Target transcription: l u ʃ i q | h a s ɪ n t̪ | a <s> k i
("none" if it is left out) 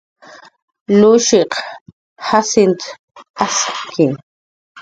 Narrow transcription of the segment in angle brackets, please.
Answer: s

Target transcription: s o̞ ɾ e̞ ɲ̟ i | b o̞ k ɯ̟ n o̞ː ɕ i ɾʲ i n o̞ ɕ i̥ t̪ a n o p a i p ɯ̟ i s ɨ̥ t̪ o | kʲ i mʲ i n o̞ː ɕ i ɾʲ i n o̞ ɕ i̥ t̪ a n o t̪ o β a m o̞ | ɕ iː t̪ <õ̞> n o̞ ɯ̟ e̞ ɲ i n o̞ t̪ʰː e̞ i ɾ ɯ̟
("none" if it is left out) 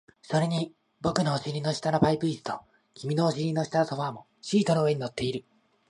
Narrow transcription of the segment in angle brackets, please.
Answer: o̞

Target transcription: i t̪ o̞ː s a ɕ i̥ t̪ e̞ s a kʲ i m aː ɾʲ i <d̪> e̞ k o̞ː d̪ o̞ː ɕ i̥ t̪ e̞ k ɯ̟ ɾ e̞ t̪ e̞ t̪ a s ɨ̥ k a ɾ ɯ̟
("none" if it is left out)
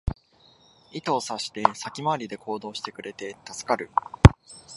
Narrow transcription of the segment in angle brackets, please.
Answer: d̪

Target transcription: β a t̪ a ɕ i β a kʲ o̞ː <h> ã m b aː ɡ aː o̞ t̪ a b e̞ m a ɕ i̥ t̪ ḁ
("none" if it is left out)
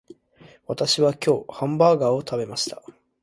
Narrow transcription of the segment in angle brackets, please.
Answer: h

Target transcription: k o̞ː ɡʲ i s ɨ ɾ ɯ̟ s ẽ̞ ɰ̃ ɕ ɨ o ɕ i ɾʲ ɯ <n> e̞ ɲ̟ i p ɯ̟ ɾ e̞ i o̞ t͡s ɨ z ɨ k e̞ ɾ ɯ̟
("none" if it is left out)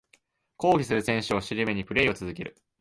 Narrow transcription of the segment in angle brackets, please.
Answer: m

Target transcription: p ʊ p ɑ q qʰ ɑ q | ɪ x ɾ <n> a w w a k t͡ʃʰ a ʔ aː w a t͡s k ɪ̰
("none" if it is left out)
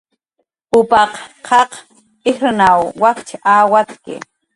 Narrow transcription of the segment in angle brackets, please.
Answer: n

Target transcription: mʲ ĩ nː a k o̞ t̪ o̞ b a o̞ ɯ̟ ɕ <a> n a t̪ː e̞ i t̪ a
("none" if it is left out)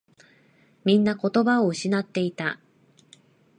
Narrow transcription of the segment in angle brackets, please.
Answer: i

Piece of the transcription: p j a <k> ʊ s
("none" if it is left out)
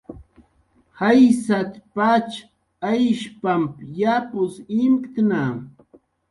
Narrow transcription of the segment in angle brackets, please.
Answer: p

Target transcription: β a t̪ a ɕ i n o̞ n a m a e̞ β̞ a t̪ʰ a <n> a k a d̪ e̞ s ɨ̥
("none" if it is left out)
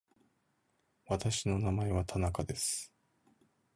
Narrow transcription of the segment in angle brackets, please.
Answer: n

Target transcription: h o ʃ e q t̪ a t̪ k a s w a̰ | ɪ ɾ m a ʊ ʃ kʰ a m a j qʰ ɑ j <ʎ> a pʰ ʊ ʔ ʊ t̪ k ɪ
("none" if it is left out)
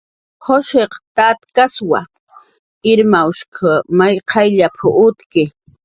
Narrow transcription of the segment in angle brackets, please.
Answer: ʎ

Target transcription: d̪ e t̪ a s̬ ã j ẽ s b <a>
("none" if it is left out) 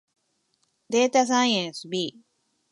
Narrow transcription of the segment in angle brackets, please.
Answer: i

